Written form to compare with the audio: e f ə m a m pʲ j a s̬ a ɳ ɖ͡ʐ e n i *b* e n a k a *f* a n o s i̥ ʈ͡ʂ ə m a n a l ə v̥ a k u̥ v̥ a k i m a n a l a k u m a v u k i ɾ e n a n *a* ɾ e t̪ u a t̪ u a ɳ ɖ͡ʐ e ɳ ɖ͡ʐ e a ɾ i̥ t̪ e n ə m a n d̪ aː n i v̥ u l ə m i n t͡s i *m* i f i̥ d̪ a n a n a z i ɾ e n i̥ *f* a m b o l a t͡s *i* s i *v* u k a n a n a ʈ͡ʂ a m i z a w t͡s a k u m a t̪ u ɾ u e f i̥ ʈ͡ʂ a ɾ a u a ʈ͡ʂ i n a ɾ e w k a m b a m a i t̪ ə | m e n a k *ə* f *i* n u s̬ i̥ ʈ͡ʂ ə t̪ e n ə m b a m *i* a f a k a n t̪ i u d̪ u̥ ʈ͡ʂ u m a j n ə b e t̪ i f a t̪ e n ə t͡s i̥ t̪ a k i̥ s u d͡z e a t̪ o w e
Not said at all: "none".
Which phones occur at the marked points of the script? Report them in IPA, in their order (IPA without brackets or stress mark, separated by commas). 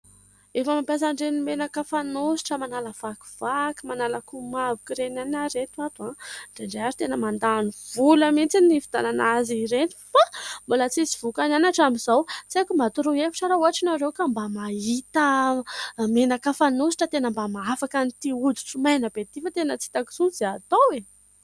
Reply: m, f, a, n, f, i, v, a, a, a